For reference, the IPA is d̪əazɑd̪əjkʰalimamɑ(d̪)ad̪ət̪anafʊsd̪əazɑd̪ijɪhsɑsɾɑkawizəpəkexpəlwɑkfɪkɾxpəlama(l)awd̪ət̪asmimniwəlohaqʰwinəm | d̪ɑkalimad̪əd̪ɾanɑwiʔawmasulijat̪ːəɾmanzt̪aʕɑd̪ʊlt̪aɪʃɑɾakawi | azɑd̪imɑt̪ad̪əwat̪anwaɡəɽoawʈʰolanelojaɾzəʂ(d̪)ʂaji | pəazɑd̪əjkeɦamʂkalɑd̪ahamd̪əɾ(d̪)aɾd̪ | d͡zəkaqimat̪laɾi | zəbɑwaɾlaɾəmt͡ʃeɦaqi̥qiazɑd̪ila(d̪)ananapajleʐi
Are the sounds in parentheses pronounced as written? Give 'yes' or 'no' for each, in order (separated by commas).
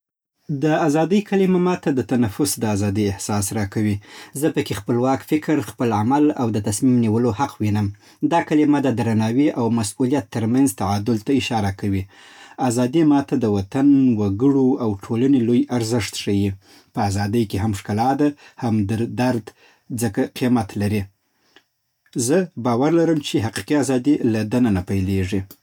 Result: no, yes, no, yes, yes